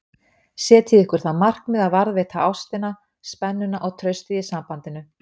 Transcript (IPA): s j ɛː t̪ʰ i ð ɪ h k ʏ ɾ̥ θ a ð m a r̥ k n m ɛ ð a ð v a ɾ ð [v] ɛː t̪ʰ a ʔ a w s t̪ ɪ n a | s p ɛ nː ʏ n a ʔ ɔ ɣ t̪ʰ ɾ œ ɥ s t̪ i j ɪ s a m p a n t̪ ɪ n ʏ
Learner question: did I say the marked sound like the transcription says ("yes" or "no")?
yes